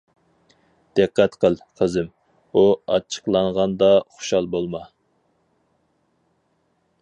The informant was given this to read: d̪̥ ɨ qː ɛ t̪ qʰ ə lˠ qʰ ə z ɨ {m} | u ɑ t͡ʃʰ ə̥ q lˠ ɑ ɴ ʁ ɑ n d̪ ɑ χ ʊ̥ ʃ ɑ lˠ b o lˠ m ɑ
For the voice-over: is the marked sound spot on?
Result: yes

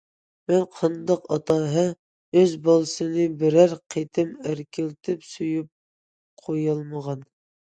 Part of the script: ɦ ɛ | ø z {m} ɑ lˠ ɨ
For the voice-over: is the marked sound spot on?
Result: no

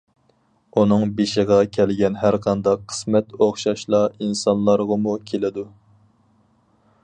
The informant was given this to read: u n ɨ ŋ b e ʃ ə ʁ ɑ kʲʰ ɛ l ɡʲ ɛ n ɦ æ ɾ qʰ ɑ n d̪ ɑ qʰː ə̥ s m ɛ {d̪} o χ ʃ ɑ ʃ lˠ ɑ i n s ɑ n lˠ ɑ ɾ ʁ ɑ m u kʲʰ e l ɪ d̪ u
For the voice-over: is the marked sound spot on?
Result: no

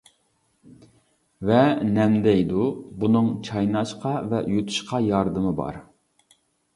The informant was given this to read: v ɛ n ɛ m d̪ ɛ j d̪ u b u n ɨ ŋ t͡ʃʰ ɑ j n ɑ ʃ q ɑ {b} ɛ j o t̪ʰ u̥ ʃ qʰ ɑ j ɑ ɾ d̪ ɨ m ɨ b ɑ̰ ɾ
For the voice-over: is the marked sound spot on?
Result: no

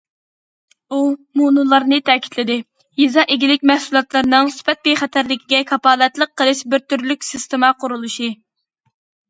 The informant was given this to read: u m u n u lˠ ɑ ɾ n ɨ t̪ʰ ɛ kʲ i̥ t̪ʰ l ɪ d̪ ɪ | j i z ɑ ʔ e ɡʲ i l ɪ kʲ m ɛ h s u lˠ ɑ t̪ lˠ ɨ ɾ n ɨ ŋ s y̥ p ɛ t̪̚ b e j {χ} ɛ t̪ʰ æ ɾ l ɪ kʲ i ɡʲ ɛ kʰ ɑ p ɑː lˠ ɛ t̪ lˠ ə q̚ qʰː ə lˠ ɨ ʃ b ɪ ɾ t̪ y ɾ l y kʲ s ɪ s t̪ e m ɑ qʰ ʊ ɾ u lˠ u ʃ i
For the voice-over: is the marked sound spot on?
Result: yes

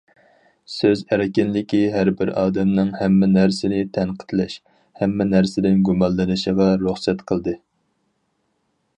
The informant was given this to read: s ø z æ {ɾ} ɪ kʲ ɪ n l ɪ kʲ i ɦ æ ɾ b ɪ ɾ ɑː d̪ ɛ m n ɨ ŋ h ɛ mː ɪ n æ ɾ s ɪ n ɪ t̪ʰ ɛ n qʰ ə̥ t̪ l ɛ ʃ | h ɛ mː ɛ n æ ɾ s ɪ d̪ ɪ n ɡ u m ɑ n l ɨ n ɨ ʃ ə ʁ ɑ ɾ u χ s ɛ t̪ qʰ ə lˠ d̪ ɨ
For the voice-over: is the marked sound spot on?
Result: yes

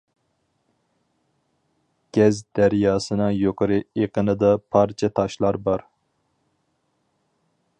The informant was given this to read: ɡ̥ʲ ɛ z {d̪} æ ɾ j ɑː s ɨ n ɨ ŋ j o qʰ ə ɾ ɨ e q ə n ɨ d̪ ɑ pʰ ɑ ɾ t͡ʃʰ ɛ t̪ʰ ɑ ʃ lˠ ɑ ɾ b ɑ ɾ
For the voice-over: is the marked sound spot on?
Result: yes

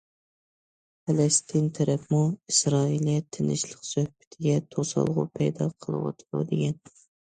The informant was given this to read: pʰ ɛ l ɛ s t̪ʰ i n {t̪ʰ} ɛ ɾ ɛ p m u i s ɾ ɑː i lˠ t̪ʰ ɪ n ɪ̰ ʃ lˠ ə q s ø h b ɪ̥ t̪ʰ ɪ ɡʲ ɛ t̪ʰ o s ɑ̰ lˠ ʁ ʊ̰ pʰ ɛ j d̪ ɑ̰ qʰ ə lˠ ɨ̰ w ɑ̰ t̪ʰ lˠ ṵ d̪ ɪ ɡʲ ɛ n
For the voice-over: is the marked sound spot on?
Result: yes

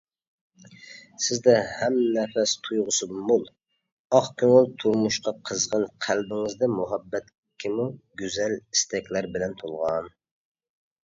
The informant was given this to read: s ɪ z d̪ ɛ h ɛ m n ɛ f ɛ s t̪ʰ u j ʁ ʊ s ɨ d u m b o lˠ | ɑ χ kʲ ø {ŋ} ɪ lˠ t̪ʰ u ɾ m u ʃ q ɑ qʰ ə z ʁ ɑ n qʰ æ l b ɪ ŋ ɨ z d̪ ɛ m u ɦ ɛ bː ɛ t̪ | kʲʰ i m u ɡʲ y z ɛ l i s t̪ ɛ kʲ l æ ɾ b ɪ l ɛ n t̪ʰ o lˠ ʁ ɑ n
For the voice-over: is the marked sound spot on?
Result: yes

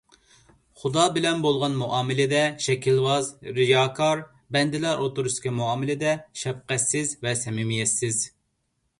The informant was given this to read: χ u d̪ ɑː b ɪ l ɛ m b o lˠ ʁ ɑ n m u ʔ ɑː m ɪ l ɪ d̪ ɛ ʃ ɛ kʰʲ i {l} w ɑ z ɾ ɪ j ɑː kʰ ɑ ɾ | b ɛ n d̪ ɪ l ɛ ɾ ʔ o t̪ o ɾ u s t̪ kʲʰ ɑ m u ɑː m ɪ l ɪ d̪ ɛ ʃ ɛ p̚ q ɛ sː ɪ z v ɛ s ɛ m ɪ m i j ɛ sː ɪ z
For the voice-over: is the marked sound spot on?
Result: yes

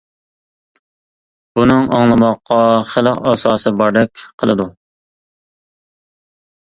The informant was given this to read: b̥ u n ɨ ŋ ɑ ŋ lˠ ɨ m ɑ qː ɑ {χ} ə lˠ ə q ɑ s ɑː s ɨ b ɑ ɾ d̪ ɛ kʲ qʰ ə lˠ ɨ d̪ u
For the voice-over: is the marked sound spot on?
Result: yes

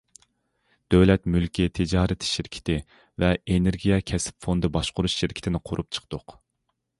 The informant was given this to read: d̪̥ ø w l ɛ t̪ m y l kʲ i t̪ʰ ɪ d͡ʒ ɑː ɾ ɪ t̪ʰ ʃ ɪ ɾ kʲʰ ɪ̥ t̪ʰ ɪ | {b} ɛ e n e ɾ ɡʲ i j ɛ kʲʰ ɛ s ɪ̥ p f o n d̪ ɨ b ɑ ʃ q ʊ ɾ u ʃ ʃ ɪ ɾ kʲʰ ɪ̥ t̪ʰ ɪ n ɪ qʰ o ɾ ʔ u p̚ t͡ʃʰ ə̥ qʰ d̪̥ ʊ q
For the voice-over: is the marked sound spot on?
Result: no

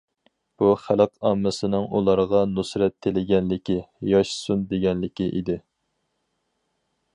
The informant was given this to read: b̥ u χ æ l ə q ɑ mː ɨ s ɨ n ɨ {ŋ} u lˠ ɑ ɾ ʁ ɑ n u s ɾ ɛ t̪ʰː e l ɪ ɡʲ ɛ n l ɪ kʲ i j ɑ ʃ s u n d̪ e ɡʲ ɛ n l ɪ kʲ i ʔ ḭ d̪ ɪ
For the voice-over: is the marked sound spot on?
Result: yes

